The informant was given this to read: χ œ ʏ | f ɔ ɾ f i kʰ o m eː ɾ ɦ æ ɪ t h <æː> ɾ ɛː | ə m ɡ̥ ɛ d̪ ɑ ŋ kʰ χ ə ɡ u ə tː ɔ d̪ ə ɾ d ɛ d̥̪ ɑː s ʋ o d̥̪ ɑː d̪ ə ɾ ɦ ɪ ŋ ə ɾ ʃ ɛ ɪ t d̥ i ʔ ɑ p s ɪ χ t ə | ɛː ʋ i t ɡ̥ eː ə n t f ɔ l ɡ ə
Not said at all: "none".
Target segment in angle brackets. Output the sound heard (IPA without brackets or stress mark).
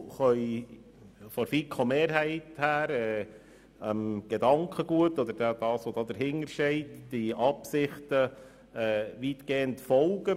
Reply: æː